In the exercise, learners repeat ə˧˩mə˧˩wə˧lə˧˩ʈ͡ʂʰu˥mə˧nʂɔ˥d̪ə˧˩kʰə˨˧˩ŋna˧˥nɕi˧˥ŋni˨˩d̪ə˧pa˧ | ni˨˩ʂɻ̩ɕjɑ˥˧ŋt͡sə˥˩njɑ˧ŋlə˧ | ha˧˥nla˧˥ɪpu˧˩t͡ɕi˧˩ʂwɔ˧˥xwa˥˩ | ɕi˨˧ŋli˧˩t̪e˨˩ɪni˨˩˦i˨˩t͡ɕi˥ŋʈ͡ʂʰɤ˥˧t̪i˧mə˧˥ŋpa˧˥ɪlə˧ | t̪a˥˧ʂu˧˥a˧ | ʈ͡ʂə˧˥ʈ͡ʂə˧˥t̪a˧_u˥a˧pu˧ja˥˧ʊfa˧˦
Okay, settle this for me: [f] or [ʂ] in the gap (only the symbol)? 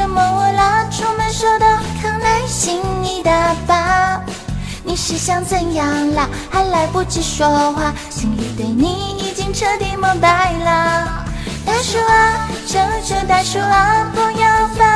ʂ